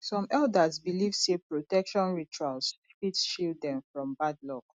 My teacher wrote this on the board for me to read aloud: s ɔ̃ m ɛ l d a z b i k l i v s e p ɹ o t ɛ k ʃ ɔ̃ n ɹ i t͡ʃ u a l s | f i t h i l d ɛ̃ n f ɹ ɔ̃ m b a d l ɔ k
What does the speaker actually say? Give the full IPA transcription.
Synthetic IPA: s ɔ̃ m ɛ l d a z b i l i v s e p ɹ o t ɛ k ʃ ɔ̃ n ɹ i t͡ʃ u a l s | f i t ʃ i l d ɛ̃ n f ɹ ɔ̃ m b a d l ɔ k